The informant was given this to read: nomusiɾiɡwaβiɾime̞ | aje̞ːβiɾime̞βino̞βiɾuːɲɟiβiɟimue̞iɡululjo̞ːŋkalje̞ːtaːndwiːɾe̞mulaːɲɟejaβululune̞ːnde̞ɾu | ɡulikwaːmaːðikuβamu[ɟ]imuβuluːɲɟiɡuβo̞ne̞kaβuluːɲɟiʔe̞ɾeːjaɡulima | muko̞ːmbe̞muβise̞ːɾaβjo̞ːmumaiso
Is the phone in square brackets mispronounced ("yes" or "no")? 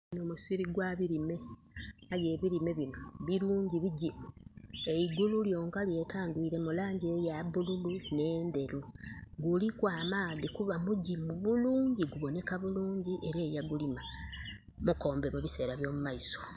no